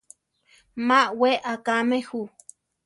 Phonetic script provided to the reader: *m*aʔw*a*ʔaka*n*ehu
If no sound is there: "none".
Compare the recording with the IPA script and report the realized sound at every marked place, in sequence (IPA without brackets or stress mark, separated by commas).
m, e, m